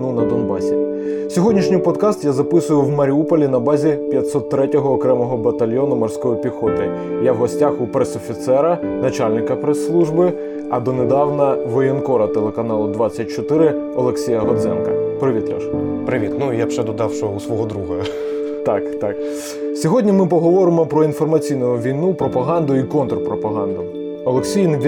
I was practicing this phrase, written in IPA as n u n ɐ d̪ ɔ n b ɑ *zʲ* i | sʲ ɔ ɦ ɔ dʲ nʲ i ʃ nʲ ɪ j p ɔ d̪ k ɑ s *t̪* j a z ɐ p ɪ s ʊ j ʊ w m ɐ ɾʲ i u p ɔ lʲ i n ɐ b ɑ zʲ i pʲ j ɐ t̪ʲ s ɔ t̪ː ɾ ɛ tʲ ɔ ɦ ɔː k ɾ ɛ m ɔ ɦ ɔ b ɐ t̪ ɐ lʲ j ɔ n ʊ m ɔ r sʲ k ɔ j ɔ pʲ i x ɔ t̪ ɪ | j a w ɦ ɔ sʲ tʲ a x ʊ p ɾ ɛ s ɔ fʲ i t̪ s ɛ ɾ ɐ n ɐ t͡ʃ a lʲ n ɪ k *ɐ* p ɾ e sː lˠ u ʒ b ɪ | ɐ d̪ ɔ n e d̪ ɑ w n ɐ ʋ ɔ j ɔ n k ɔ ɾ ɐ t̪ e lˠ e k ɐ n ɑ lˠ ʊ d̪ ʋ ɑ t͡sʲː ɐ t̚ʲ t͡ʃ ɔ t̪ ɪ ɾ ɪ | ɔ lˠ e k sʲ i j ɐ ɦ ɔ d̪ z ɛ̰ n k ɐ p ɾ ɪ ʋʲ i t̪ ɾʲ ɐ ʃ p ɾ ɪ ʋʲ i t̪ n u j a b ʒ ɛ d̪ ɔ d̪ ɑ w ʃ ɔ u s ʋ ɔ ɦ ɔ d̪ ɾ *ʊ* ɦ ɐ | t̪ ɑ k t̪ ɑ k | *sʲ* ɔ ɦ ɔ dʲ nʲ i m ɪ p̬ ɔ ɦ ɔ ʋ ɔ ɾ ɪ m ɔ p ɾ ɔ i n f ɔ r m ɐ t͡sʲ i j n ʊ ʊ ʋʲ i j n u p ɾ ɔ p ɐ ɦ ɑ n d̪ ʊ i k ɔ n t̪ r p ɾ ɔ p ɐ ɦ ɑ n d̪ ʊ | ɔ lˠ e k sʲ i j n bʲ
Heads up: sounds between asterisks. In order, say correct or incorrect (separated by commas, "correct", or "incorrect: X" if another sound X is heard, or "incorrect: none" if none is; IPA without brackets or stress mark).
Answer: incorrect: sʲ, correct, correct, incorrect: u, correct